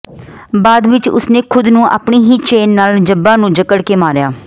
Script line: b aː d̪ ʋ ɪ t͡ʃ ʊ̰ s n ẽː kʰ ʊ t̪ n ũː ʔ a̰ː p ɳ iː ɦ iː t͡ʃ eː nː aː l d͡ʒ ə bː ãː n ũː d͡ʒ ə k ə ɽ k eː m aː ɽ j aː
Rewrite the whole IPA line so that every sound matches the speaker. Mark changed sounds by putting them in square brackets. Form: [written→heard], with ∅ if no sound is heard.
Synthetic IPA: b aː d̪ ʋ ɪ t͡ʃ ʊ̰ s n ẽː kʰ ʊ [t̪→d̪] n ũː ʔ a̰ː p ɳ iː ɦ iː t͡ʃ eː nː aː l d͡ʒ ə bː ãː n ũː d͡ʒ ə k ə ɽ k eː m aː [ɽ→ɾ] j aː